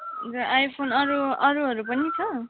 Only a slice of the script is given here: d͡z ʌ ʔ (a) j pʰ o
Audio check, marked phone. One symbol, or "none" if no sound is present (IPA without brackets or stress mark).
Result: a